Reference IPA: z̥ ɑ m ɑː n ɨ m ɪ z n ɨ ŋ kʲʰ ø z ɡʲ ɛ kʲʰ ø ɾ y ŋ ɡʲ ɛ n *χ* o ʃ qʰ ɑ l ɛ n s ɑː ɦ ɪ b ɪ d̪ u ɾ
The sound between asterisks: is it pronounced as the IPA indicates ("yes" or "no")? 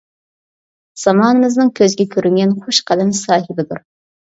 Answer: yes